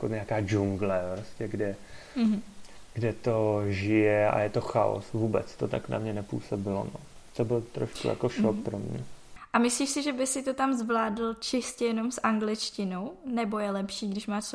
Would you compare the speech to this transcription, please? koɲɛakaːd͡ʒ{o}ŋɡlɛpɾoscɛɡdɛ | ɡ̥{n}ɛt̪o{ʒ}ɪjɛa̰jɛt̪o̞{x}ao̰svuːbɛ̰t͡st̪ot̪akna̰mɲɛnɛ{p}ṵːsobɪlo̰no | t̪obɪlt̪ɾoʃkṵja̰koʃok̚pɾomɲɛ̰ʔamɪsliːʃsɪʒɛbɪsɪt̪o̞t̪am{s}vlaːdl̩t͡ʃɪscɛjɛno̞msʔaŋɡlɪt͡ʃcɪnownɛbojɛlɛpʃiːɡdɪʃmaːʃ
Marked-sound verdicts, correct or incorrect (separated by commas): incorrect, incorrect, correct, correct, correct, incorrect